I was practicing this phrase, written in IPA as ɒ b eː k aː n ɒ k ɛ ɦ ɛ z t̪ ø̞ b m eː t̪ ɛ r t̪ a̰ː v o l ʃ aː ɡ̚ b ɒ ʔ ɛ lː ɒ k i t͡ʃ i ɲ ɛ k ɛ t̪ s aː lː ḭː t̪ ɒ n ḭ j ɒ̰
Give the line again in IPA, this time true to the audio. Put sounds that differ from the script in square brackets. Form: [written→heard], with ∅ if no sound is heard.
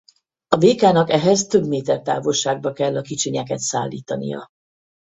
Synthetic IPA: ɒ b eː k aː n ɒ k ɛ ɦ ɛ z t̪ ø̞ b m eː t̪ ɛ r t̪ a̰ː v o l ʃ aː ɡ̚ b ɒ [ʔ→k] ɛ lː ɒ k i t͡ʃ i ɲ ɛ k ɛ t̪ s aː lː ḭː t̪ ɒ n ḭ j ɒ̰